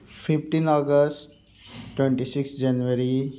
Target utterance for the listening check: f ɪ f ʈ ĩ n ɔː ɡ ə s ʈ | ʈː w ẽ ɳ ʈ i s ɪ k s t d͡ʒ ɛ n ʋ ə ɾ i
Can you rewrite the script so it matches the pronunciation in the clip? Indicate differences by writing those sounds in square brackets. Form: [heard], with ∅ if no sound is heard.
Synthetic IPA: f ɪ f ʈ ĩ n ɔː ɡ ə s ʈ | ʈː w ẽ ɳ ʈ i s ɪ k s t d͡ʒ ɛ n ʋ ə ɾ i